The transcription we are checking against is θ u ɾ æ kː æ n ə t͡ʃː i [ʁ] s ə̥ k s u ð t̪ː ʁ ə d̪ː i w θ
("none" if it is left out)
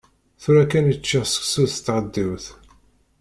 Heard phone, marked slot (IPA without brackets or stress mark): ʁ